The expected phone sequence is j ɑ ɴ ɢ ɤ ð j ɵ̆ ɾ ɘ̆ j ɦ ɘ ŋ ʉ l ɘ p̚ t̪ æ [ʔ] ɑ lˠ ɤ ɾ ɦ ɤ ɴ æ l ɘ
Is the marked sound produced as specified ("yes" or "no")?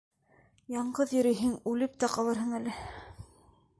no